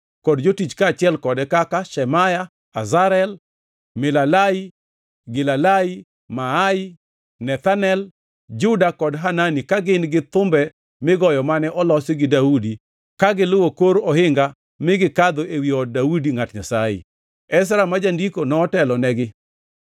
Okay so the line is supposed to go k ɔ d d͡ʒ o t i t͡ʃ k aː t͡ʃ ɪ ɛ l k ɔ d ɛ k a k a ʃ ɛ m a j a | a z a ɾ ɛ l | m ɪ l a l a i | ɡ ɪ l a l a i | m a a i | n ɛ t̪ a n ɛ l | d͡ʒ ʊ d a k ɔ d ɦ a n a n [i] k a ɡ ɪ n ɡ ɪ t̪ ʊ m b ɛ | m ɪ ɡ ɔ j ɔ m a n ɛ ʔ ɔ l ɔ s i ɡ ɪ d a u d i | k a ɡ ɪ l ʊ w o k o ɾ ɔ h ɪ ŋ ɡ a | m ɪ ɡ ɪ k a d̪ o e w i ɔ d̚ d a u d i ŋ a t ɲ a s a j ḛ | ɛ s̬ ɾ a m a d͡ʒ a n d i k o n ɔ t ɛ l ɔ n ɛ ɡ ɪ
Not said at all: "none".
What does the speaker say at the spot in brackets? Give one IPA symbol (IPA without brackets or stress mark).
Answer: i